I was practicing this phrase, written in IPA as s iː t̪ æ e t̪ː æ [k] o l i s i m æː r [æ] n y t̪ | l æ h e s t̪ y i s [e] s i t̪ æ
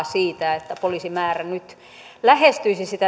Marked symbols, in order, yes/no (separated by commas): no, yes, no